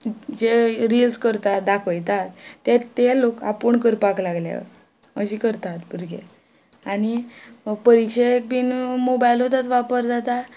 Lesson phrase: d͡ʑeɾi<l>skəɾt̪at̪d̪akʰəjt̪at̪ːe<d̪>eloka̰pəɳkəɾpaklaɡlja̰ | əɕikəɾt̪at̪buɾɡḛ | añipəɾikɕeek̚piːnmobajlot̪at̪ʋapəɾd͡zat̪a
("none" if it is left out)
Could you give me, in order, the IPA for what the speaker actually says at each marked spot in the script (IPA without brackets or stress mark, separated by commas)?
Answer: l, t̪